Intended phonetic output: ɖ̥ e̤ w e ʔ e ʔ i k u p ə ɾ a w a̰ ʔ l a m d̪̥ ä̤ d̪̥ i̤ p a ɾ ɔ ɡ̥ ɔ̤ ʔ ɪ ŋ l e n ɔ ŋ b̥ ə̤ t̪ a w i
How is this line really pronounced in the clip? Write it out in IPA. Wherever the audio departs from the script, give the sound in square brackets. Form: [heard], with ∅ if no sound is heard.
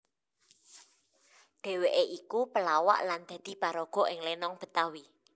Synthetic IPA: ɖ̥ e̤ w e ʔ e ʔ i k u p ə [l] a w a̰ ʔ l a [n] d̪̥ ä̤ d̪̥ i̤ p a ɾ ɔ ɡ̥ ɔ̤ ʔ ɪ ŋ l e n ɔ ŋ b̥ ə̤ t̪ a w i